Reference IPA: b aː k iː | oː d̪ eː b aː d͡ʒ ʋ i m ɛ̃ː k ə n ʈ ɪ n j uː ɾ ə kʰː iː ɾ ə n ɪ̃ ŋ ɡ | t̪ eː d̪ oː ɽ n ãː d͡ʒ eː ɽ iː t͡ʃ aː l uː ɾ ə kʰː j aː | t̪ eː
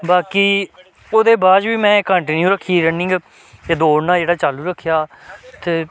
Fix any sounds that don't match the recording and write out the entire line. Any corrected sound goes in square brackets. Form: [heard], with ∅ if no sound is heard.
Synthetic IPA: b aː k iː | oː d̪ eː b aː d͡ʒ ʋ [iː] m ɛ̃ː k ə [ɳ] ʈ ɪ n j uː ɾ ə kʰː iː ɾ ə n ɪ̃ ŋ ɡ | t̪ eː d̪ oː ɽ n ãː d͡ʒ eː ɽ [aː] t͡ʃ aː l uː ɾ ə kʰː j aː | t̪ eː